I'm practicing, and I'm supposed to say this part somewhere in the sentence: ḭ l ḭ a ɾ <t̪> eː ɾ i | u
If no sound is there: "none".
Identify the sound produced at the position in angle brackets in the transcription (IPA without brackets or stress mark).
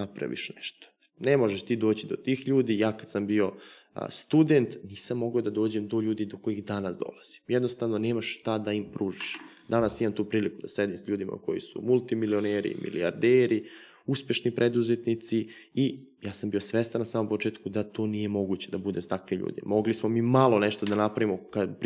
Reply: d̪